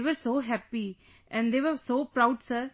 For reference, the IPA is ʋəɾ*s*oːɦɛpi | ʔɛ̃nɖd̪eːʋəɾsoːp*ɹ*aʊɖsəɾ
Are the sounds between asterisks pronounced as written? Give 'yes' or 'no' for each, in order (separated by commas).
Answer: yes, no